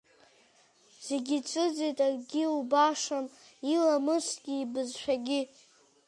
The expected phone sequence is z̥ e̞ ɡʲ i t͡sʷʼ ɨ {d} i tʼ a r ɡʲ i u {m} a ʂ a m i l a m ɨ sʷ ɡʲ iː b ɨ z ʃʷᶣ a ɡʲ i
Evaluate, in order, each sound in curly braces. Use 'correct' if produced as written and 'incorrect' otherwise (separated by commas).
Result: incorrect, incorrect